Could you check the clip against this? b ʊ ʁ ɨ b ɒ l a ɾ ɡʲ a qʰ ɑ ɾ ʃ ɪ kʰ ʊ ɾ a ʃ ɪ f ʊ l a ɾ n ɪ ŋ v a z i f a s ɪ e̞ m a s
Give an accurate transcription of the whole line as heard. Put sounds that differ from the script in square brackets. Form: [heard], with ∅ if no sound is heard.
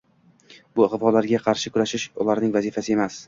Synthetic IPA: b ʊ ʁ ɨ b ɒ l a ɾ ɡʲ a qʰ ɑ ɾ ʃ ɪ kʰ ʊ ɾ a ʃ ɪ [ʃ] ʊ l a ɾ n ɪ ŋ v a z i f a s ɪ e̞ m a s